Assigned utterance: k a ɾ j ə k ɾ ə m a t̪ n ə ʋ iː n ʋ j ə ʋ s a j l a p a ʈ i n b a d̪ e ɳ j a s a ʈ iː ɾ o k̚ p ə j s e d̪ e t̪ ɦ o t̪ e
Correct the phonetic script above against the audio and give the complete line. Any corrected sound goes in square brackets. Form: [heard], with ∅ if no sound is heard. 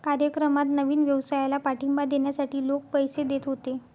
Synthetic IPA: k a ɾ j ə k ɾ ə m a t̪ n ə ʋ iː n ʋ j ə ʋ s a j l a p a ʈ i [m] b a d̪ e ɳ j a s a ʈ iː [l] o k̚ p ə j s e d̪ e t̪ ɦ o t̪ e